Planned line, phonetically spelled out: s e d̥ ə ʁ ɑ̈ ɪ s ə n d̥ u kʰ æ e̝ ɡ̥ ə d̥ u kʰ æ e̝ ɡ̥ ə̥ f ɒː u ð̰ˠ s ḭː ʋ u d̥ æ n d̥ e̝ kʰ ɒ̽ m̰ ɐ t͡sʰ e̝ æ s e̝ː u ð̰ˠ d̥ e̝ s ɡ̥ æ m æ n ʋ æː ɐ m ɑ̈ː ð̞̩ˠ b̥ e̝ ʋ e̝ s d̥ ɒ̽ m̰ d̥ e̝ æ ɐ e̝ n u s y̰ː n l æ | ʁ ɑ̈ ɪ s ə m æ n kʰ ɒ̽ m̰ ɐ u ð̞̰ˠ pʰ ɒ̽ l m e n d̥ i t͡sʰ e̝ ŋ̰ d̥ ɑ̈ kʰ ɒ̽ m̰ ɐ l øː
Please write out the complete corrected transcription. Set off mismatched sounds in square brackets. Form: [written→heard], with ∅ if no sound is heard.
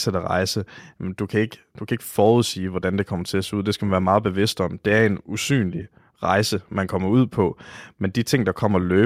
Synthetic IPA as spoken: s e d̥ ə ʁ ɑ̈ ɪ s ə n d̥ u kʰ æ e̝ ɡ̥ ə d̥ u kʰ æ e̝ ɡ̥ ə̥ f ɒː u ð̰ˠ s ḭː ʋ [u→ɒ] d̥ æ n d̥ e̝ kʰ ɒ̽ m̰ ɐ t͡sʰ e̝ æ s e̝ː u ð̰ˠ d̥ e̝ s ɡ̥ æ m æ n ʋ æː ɐ m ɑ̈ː ð̞̩ˠ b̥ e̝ ʋ e̝ s d̥ ɒ̽ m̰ d̥ e̝ æ ɐ e̝ n u s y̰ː n l [æ→i] | ʁ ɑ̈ ɪ s ə m æ n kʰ ɒ̽ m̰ ɐ u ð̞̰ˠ pʰ ɒ̽ [l→∅] m e n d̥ i t͡sʰ e̝ ŋ̰ d̥ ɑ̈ kʰ ɒ̽ m̰ ɐ l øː